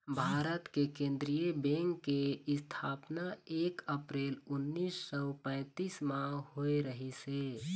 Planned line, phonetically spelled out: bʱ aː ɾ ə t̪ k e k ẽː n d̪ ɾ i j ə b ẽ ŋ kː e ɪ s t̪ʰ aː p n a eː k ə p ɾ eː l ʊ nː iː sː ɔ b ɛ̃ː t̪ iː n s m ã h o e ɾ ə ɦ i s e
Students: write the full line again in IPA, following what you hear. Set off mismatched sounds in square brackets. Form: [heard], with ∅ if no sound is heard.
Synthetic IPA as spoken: bʱ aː ɾ ə t̪ k e k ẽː n d̪ ɾ i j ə b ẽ ŋ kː e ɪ s t̪ʰ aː p n a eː k ə p ɾ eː l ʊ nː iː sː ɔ [p] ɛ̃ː t̪ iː [∅] s m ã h o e ɾ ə ɦ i s e